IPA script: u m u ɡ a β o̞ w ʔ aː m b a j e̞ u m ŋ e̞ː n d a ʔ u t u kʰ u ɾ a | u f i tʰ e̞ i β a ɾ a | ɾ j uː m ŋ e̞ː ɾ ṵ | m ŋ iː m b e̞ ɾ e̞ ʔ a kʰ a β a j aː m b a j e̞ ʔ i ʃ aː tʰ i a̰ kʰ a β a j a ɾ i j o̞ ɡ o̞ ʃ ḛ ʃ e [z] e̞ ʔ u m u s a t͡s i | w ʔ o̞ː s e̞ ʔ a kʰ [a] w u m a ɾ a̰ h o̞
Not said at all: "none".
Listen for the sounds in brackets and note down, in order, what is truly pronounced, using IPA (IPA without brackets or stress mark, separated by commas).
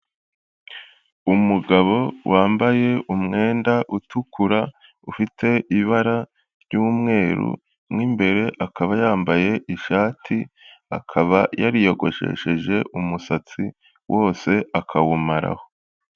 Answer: ʒ, a